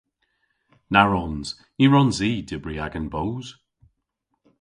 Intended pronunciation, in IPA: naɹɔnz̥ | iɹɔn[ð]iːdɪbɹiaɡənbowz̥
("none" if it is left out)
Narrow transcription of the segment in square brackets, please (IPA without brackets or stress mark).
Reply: z